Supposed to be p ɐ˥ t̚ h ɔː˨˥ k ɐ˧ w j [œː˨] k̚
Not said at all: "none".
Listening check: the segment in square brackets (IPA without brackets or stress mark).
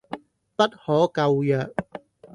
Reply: œː˨